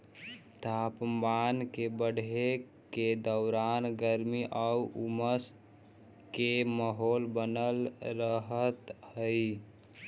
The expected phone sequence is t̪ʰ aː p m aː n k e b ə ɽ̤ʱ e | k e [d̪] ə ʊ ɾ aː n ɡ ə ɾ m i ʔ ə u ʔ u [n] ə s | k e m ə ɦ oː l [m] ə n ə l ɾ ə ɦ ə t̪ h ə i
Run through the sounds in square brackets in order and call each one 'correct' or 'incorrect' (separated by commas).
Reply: correct, incorrect, incorrect